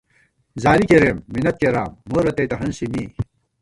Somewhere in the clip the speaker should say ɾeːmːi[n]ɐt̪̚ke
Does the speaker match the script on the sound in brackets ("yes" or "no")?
yes